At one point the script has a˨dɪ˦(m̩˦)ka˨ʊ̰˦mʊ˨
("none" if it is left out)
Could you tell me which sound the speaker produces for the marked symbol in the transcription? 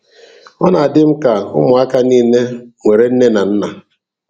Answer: m̩˦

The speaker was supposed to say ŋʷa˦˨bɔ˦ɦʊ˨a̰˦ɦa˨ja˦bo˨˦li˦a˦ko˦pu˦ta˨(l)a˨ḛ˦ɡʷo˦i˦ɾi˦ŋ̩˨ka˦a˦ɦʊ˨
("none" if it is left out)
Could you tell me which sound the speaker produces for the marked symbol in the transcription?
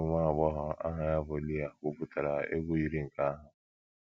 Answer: ɾ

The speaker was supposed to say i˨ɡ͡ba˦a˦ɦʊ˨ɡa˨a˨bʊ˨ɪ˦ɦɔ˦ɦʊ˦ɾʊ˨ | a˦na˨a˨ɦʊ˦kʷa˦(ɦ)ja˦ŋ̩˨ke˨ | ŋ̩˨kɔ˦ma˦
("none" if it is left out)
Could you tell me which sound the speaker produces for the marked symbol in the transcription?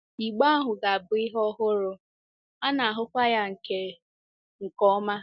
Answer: none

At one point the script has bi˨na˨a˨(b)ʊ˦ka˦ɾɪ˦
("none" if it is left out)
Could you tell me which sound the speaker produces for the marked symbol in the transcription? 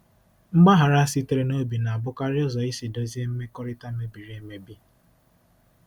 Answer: b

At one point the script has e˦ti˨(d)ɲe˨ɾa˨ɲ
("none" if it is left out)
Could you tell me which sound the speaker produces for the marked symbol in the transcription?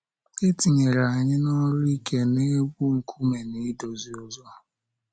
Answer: none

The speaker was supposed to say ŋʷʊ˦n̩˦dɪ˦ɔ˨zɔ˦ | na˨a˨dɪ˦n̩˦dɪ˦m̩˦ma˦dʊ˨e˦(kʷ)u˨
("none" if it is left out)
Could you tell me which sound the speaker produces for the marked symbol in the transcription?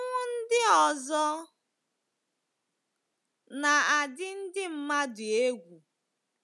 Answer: ɡʷ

